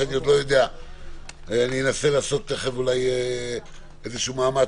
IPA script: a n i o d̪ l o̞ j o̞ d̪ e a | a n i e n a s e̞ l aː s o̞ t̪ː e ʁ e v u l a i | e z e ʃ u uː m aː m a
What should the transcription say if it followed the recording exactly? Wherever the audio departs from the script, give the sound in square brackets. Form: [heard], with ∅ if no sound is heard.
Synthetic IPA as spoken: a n i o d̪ l o̞ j o̞ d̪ e a | a n i e n a s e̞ l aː s o̞ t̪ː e [χ] e v u l a [j] | e z e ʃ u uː m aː m a